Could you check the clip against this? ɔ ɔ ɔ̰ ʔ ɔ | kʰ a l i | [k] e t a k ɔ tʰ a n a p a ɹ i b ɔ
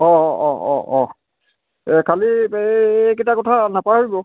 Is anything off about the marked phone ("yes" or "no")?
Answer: no